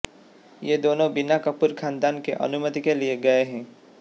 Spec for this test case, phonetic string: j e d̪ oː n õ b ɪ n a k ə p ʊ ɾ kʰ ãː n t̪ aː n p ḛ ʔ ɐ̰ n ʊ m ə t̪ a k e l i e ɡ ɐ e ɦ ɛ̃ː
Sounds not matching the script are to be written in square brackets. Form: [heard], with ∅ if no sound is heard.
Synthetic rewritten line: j e d̪ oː n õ b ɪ n a k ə p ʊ ɾ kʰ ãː n [d̪] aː n [k] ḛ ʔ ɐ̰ n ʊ m ə t̪ [i] k e l i e ɡ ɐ e ɦ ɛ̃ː